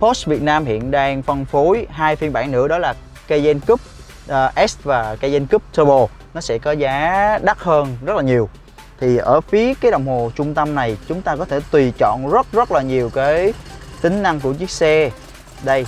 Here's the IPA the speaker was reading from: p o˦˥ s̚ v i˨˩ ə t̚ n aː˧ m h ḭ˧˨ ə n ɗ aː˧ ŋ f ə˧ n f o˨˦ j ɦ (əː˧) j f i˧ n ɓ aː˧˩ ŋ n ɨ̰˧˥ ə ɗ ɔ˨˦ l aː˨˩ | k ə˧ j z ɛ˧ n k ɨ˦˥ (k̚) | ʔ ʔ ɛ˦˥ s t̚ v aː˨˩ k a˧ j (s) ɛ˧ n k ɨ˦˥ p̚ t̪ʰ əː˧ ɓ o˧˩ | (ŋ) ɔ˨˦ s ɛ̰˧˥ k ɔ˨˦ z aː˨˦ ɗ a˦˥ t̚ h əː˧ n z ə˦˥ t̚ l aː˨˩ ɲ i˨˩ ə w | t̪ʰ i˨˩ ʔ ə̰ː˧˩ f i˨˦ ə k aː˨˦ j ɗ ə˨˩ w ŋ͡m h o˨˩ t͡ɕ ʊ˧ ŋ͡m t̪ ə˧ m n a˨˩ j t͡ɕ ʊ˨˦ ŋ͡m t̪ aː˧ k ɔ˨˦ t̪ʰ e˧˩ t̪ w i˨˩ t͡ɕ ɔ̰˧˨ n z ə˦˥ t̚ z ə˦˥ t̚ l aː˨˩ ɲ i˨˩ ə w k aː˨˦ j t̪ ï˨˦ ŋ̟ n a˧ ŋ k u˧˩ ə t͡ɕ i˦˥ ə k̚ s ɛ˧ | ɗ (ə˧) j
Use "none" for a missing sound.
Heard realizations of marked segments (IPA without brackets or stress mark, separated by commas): aː˧, p̚, z, n, ə˧